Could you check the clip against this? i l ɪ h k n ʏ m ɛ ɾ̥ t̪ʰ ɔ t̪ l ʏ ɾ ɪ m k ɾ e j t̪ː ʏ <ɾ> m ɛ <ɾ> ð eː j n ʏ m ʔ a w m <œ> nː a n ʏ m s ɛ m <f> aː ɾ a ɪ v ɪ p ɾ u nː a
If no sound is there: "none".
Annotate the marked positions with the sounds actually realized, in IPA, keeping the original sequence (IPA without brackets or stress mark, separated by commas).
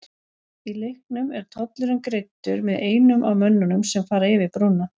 ɾ, none, œ, f